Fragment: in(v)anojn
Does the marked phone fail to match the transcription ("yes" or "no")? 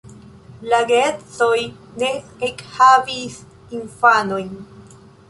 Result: yes